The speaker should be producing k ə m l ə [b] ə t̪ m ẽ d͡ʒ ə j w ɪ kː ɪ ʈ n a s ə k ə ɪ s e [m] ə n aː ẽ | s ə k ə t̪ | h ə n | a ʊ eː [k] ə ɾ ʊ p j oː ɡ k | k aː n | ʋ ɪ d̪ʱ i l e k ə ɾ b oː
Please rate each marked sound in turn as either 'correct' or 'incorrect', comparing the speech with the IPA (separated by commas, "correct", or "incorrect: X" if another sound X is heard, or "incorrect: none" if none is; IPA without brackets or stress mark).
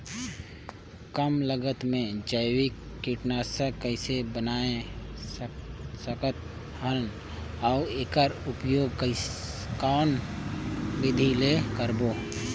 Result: incorrect: ɡ, incorrect: b, correct